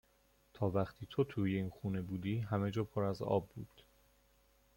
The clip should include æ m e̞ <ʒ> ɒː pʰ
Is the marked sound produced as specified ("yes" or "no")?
no